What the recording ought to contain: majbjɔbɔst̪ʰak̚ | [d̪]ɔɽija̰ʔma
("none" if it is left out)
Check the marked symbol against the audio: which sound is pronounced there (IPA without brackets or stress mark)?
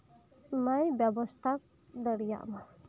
d̪